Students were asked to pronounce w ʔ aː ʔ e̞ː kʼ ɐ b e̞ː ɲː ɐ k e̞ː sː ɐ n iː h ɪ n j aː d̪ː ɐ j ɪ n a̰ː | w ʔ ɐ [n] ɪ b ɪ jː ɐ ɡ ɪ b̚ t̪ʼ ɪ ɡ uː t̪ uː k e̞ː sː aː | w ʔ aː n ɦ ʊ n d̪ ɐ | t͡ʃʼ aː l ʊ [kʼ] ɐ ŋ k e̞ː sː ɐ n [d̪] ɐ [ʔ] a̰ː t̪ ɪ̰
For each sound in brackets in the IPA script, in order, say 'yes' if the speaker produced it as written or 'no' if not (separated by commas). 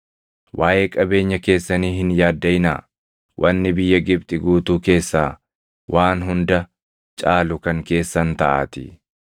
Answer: no, no, no, yes